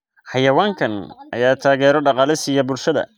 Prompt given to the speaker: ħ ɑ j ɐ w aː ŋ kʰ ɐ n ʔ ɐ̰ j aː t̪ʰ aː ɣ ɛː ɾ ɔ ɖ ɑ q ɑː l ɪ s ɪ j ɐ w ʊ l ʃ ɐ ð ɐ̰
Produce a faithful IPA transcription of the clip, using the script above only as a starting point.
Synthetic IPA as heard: ħ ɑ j ɐ w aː ŋ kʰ ɐ n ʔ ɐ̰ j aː t̪ʰ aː ɣ ɛː ɾ ɔ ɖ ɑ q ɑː l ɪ s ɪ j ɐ b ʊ l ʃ ɐ ð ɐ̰